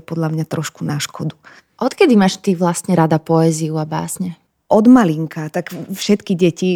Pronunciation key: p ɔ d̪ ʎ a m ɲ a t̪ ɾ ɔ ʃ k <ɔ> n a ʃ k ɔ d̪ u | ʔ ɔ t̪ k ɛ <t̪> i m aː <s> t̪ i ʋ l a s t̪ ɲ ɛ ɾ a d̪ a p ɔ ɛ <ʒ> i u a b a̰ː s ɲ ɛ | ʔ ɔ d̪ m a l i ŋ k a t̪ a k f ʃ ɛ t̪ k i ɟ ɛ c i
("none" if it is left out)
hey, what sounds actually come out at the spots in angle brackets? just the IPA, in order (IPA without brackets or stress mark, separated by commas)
u, d̪, ʃ, z